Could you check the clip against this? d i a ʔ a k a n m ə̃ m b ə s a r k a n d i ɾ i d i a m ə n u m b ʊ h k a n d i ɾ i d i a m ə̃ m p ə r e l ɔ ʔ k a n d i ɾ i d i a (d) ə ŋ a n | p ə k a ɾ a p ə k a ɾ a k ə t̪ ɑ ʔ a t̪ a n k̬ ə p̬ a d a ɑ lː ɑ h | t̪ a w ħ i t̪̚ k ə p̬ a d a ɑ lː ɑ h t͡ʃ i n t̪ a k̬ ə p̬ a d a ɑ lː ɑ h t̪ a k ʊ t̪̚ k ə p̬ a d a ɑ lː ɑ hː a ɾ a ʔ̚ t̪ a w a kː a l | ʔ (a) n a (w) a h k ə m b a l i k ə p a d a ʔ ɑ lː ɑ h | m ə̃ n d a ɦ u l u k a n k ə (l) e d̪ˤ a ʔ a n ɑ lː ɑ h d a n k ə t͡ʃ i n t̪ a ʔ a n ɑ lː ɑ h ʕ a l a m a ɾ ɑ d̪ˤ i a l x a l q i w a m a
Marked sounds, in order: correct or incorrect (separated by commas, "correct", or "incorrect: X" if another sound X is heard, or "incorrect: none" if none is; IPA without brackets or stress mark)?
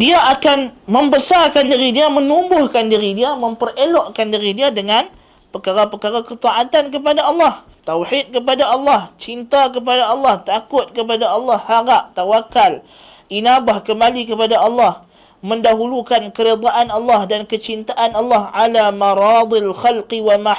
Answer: correct, incorrect: i, incorrect: b, incorrect: ɾ